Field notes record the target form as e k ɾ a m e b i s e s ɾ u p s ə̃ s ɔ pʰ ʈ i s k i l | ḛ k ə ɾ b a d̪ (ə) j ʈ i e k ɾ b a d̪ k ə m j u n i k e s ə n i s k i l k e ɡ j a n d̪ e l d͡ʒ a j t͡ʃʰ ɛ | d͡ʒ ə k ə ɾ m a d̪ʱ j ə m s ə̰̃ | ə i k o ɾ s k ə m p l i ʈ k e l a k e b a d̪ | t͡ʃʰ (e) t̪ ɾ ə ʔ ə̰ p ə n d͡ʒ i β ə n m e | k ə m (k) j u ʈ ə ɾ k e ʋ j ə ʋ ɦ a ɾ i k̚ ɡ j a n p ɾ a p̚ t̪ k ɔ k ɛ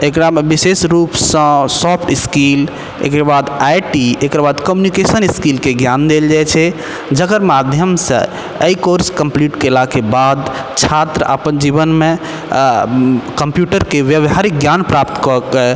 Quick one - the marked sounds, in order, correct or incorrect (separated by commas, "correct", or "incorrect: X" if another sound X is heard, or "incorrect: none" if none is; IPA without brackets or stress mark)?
incorrect: a, incorrect: a, incorrect: p